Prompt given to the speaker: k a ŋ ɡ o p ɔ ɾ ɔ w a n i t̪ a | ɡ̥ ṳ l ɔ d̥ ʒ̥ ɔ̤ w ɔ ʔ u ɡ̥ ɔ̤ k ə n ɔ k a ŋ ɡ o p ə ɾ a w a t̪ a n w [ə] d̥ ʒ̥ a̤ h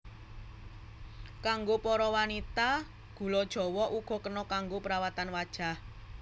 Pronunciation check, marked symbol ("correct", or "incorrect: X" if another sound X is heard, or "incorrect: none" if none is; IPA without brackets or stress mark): incorrect: a